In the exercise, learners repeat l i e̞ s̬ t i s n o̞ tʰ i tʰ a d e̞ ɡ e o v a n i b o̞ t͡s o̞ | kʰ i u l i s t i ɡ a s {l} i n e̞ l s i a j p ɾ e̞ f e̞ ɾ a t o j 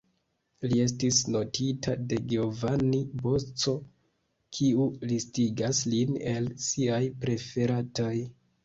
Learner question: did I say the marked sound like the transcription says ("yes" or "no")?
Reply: yes